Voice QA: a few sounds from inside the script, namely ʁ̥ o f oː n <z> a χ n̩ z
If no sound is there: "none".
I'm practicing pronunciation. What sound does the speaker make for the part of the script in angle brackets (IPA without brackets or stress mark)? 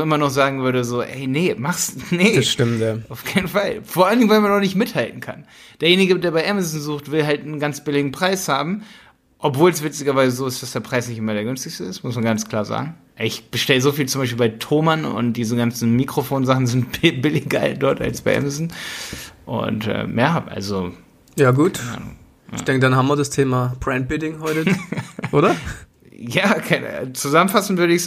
z